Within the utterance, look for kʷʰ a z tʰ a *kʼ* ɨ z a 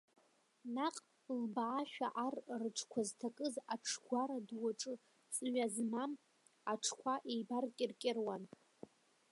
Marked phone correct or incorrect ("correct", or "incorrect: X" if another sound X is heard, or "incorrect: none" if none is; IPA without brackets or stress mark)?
correct